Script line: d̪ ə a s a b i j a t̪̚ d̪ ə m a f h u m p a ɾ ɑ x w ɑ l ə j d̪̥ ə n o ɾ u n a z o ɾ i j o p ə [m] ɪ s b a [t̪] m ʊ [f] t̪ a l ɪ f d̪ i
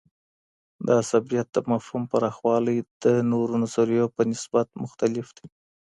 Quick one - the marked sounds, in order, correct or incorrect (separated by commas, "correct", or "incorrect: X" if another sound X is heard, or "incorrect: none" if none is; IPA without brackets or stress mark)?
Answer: incorrect: n, correct, incorrect: x